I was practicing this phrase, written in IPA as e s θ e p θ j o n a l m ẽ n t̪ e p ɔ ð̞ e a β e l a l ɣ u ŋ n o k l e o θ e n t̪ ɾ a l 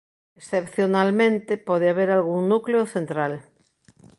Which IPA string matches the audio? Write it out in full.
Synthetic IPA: e s θ e p θ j o n a l m ẽ n t̪ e p ɔ ð̞ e a β e ɾ a l ɣ u ŋ n u k l e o θ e n t̪ ɾ a l